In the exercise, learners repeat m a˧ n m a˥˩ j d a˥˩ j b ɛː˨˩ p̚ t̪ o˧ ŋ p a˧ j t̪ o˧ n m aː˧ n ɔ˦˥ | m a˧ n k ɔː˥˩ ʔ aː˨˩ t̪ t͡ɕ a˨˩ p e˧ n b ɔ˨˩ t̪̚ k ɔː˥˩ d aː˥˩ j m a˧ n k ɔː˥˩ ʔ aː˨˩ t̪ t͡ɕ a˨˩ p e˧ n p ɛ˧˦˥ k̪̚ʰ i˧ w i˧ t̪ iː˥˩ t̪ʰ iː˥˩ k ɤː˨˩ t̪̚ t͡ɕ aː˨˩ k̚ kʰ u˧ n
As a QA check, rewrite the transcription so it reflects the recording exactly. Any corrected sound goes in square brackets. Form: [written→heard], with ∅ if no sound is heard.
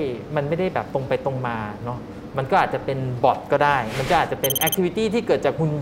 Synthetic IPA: m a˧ n m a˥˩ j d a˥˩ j b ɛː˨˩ p̚ t̪ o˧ ŋ p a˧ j t̪ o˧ [n→ŋ] m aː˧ n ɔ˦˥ | m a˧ n k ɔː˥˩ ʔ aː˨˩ t̪ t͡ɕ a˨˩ p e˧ n b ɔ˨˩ t̪̚ k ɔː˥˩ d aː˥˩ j m a˧ n k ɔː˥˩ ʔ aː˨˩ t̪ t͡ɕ a˨˩ p e˧ n [p→ʔ] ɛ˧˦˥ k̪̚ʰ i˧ w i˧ t̪ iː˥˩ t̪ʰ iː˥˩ k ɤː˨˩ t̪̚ t͡ɕ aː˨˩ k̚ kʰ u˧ n